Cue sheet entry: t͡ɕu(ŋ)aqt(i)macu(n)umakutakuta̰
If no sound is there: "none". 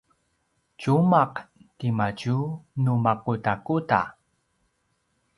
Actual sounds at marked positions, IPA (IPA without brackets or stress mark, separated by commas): m, i, n